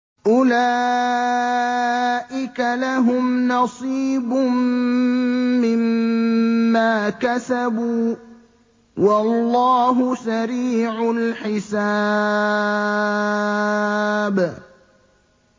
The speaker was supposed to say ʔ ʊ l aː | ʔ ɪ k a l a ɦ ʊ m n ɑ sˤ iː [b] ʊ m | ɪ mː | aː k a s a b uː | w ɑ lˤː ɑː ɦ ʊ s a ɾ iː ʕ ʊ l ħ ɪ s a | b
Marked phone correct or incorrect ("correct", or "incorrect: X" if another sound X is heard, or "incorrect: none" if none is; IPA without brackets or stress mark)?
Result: correct